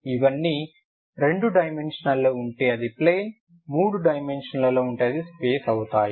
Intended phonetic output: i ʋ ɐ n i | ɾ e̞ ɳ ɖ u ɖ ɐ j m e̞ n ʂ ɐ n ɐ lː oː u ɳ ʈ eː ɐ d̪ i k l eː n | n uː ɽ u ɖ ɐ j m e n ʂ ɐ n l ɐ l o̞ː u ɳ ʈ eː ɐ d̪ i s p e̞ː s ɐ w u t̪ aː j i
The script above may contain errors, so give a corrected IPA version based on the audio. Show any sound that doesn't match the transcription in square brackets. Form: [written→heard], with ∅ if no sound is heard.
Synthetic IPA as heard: i ʋ ɐ [n→nː] i | ɾ e̞ ɳ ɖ u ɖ ɐ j m e̞ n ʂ ɐ n ɐ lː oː u ɳ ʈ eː ɐ d̪ i [k→p] l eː n | [n→m] uː ɽ u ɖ ɐ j m e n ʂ ɐ n l ɐ l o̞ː u ɳ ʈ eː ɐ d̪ i s p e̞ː s ɐ w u t̪ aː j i